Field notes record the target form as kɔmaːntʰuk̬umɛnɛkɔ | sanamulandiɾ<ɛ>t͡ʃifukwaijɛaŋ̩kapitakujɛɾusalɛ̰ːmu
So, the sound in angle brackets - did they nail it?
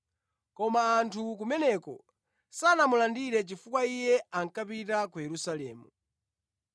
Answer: yes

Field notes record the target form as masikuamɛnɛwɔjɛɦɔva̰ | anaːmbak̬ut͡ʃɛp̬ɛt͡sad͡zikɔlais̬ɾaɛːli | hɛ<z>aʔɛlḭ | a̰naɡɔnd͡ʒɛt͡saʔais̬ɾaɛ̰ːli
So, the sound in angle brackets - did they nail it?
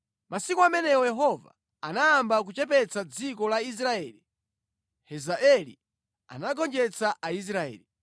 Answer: yes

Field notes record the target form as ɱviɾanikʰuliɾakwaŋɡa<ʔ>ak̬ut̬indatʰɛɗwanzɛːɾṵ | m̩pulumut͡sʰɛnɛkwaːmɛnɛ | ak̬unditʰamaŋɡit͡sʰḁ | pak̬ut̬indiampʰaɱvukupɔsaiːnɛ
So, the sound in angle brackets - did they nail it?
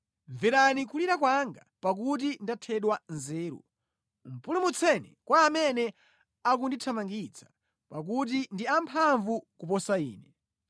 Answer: no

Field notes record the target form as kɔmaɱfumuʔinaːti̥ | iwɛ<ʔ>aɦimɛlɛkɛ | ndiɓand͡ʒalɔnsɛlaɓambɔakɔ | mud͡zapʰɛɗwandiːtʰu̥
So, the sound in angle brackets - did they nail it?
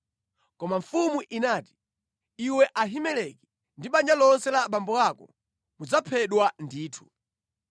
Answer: yes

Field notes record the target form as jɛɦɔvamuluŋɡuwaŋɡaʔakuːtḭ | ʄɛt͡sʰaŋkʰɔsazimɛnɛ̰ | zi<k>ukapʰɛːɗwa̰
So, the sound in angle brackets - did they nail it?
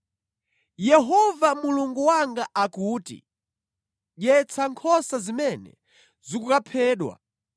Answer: yes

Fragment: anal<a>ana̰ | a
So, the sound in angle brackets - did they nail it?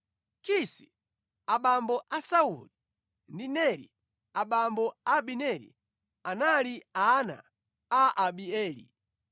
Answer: no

